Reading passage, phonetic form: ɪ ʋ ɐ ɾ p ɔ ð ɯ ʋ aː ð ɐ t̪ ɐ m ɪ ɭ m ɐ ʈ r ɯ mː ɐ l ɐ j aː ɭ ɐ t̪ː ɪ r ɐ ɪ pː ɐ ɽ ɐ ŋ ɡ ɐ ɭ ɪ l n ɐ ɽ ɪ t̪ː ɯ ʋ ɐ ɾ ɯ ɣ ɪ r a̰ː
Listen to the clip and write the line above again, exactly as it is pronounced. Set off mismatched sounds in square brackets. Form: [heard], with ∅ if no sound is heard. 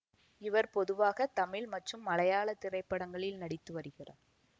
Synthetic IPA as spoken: ɪ ʋ ɐ ɾ p ɔ ð ɯ ʋ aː [ɣ] ɐ t̪ ɐ m ɪ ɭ m ɐ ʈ r ɯ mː ɐ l ɐ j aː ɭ ɐ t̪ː ɪ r ɐ ɪ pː ɐ ɽ ɐ ŋ ɡ ɐ ɭ ɪ l n ɐ ɽ ɪ t̪ː ɯ ʋ ɐ ɾ ɯ ɣ ɪ r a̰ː